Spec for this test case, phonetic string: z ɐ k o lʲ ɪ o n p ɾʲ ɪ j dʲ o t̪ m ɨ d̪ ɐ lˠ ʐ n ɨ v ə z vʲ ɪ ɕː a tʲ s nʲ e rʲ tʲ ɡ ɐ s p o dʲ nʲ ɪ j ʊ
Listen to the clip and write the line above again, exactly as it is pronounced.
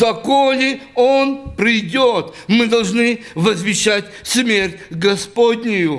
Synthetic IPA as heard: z ɐ k o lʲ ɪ o n p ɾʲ ɪ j dʲ o t̪ m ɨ d̪ ɐ lˠ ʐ n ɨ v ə z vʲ ɪ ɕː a tʲ s mʲ e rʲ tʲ ɡ ɐ s p o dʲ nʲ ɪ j ʊ